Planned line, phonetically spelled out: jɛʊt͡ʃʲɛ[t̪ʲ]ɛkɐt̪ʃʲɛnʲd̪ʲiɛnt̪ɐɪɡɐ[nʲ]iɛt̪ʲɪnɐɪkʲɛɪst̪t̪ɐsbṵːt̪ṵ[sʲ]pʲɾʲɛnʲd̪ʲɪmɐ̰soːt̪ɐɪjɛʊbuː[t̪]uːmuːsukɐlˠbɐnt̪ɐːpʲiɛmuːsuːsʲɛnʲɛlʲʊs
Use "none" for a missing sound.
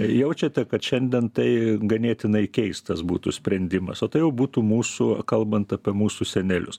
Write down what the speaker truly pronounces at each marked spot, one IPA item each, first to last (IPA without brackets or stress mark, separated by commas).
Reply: t̪ʲ, nʲ, sʲ, t̪